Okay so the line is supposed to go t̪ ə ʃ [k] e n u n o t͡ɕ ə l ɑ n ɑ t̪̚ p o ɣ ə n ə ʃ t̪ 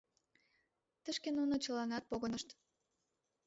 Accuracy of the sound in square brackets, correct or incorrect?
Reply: correct